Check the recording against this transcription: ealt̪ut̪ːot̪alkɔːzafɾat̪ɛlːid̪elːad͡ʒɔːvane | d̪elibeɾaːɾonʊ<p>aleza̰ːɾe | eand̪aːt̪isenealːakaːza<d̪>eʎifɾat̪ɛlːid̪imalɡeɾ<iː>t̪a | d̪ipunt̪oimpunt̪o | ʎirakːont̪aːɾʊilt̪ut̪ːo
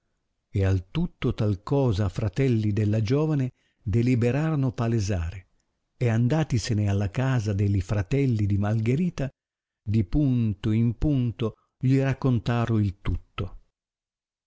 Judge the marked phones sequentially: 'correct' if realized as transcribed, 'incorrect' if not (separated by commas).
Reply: correct, correct, correct